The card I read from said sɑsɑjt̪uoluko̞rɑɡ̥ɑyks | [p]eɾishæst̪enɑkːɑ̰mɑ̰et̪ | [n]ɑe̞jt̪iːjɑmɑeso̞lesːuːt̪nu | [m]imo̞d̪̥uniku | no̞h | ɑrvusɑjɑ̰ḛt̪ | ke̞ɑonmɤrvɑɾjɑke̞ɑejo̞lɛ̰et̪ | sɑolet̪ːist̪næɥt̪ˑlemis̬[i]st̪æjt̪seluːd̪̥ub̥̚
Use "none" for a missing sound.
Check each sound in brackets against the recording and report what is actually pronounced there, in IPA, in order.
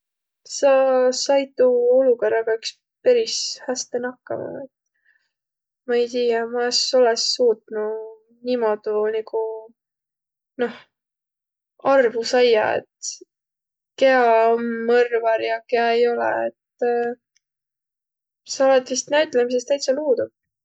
p, m, n, e

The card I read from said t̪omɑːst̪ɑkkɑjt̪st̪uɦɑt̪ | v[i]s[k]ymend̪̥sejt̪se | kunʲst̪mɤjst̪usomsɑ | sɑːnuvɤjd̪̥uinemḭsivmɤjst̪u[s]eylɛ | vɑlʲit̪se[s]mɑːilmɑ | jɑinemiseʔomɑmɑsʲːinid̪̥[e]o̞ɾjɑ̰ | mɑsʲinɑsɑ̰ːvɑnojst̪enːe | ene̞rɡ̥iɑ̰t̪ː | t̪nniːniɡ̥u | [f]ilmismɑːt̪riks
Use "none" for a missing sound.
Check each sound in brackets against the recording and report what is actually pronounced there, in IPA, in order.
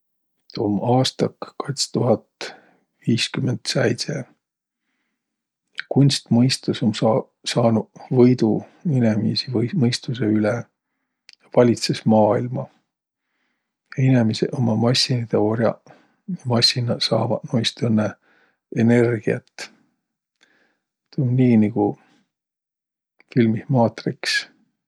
iː, k, s, s, e, f

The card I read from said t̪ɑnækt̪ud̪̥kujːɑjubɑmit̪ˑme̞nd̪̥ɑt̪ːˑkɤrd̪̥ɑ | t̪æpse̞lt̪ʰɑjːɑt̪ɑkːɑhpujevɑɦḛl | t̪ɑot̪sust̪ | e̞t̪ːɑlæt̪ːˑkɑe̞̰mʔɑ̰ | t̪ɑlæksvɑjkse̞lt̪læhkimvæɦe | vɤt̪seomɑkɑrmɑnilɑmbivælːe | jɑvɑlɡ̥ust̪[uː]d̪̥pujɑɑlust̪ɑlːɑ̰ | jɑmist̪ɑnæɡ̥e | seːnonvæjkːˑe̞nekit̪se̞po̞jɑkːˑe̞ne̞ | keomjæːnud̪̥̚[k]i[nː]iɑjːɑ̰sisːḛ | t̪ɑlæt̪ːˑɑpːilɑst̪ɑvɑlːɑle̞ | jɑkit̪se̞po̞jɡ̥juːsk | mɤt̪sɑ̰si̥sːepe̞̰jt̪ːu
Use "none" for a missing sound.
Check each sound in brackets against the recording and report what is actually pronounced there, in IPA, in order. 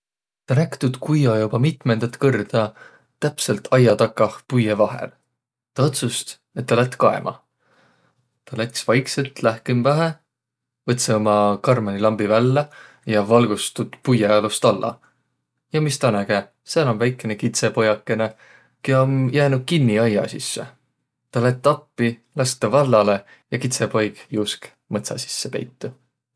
u, k, nː

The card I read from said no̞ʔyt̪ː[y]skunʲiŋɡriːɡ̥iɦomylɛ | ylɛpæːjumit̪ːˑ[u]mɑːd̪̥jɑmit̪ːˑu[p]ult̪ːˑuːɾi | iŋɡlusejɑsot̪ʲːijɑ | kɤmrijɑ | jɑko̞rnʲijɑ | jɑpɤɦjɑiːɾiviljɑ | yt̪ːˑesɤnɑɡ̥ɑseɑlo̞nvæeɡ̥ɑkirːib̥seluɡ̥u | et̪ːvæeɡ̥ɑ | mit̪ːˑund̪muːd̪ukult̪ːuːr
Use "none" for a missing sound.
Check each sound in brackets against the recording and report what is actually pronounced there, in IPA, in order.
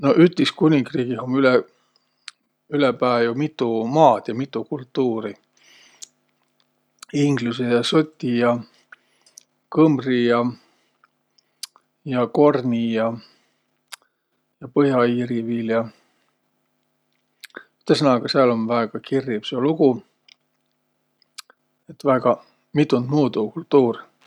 i, u, k

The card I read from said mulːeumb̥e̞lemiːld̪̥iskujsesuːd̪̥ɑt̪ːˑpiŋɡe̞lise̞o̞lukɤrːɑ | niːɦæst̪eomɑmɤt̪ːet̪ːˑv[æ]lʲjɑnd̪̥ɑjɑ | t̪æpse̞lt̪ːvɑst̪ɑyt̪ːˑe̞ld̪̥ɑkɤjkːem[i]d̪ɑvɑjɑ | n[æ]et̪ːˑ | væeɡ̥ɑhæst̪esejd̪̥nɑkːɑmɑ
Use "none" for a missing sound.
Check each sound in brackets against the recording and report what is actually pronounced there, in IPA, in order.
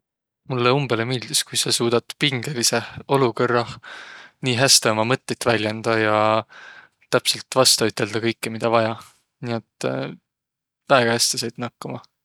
æ, i, i

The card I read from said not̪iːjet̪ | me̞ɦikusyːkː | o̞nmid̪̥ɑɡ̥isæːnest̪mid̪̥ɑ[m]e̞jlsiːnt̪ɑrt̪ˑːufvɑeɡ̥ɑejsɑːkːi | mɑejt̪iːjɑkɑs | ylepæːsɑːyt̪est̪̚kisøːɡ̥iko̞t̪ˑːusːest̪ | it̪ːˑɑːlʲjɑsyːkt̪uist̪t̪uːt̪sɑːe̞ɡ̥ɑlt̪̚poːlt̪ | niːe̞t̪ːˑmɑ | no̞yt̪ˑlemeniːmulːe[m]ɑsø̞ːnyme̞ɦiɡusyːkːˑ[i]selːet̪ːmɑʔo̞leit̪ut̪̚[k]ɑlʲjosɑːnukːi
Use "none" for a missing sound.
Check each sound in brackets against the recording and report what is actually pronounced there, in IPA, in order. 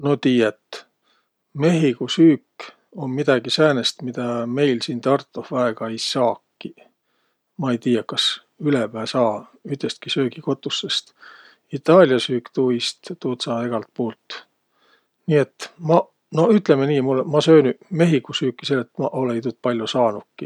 m, m, i, p

